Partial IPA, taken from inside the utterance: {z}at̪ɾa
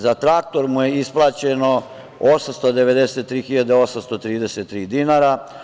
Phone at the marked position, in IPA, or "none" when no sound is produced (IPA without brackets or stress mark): z